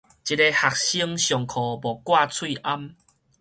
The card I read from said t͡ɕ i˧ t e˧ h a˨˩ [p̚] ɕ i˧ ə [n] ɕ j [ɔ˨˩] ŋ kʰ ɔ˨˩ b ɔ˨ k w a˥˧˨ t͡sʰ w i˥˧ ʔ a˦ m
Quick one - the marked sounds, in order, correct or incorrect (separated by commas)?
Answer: incorrect, incorrect, correct